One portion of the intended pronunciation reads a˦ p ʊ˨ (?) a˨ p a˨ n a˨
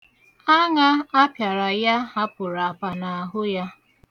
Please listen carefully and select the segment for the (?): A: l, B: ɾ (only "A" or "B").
B